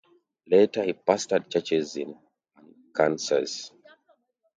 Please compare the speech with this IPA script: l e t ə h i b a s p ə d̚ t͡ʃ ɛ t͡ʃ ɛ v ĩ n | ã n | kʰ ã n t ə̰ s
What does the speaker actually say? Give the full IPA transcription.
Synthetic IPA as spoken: l e t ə h i p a s t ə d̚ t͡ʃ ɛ t͡ʃ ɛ z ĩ n | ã n | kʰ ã n s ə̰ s